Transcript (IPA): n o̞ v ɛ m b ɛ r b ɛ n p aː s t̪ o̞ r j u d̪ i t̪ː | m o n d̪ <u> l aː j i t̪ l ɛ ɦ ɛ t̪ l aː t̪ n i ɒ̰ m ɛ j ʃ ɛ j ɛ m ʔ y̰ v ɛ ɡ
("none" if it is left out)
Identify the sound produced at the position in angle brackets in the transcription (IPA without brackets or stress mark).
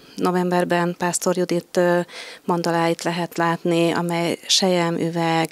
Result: ɒ